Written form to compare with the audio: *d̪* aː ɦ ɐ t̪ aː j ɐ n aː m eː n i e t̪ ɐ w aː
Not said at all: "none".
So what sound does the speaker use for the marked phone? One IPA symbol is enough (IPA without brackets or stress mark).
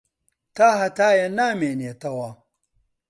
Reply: t̪